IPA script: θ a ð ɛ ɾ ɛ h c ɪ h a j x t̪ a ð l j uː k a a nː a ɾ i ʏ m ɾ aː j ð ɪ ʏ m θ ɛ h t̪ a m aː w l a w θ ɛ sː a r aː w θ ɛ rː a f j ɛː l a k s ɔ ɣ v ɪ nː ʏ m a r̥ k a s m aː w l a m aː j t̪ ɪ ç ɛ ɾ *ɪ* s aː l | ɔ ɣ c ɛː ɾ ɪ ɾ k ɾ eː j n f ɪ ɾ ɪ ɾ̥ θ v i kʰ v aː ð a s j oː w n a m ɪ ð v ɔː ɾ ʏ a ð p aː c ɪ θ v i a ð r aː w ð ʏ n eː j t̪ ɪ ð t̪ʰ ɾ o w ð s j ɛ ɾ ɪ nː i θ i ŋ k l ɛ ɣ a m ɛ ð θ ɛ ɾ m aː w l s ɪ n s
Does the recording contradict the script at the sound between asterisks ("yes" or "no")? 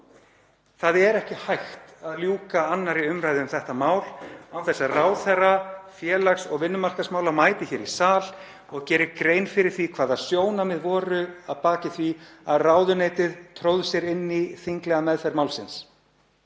yes